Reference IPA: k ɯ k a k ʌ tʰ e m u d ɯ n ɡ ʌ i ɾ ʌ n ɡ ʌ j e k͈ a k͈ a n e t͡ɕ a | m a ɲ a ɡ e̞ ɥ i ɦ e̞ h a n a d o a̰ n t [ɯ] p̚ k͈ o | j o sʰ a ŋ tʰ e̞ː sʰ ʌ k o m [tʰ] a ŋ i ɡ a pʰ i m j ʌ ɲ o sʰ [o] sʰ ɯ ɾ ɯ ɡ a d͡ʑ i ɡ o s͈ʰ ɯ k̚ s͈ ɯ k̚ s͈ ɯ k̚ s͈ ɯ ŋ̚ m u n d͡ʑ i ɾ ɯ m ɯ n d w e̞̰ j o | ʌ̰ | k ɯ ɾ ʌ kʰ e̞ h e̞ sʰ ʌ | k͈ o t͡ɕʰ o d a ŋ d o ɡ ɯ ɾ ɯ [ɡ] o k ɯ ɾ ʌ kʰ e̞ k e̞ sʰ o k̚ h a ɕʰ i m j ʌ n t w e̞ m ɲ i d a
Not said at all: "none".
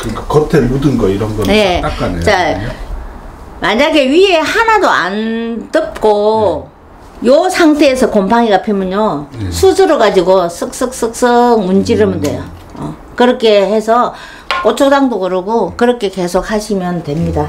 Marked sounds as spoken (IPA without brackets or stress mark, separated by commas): ɯ, pʰ, u, ɡ